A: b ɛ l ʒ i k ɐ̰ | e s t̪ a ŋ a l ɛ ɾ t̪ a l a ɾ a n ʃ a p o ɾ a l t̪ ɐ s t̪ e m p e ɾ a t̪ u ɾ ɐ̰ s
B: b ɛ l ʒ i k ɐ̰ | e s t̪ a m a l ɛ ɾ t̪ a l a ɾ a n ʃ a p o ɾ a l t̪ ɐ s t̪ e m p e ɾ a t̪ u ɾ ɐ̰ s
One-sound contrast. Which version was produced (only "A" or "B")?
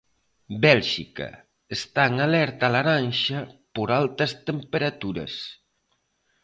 A